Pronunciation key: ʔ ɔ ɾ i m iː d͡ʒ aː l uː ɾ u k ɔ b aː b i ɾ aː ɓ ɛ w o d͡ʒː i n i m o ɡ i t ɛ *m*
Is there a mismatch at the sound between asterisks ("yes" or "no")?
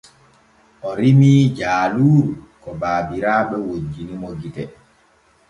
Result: yes